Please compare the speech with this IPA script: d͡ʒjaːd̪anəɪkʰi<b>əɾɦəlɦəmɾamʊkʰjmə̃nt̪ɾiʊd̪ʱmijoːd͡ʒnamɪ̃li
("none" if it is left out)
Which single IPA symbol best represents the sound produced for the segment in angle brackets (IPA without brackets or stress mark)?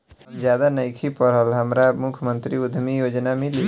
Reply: p